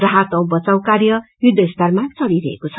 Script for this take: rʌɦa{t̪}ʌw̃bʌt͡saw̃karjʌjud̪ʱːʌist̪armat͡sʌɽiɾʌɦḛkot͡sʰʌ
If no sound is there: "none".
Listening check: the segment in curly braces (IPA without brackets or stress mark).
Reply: t̪